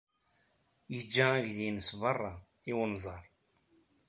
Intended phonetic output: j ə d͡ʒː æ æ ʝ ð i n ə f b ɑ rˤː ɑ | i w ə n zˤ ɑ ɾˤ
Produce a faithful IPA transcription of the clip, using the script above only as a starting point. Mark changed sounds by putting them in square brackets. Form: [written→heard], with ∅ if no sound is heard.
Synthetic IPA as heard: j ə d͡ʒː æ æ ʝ ð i n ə [f→s] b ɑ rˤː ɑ | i w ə n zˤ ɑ ɾˤ